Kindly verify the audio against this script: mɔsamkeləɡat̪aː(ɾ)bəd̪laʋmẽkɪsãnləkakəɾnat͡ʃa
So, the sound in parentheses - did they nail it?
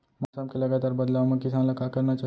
yes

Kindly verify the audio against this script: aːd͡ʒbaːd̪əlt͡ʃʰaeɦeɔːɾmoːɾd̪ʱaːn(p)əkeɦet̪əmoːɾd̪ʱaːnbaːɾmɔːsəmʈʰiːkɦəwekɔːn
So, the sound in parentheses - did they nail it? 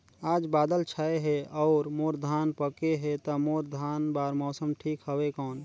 yes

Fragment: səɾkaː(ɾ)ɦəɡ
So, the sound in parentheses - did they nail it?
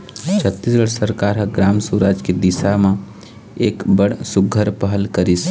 yes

